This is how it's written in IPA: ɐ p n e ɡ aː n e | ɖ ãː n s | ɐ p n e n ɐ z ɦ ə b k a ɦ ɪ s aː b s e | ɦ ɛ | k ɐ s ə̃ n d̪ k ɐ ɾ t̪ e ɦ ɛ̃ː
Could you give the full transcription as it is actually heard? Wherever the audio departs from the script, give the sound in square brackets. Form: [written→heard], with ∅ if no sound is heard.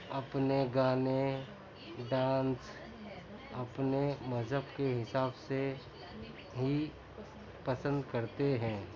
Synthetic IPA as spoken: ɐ p n e ɡ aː n e | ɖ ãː n s | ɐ p n e [n→m] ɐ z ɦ ə b k [a→e] ɦ ɪ s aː b s e | ɦ [ɛ→i] | [k→p] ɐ s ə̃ n d̪ k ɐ ɾ t̪ e ɦ ɛ̃ː